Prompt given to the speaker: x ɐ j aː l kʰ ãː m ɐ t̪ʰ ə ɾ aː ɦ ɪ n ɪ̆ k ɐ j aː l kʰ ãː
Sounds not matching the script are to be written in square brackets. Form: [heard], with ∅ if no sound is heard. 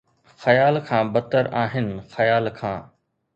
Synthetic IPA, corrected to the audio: x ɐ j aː l kʰ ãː [b] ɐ [t̪] ə ɾ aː ɦ ɪ n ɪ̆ [x] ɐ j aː l kʰ ãː